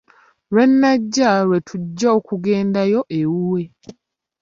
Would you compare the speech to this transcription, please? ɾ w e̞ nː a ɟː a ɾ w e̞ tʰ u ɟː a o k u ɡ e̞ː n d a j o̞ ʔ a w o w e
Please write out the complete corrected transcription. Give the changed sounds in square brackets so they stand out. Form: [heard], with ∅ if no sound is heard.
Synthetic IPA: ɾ w e̞ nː a ɟː a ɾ w e̞ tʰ u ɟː a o k u ɡ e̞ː n d a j o̞ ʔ [e] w [u] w e